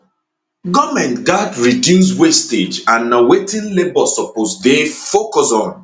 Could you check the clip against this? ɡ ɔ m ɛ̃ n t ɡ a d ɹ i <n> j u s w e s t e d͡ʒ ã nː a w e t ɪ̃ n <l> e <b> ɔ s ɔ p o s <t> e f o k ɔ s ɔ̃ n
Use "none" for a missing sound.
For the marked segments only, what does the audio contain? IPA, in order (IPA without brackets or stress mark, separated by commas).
d, l, b, d